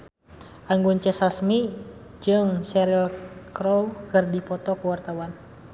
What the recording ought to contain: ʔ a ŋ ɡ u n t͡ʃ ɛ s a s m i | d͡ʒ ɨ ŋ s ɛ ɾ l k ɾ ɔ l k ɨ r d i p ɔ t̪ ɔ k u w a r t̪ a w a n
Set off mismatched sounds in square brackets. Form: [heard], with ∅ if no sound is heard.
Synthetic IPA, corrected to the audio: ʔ a ŋ ɡ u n t͡ʃ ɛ s a s m i | d͡ʒ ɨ ŋ s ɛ ɾ l k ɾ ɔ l k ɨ r d i p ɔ t̪ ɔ k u w a r t̪ a w a n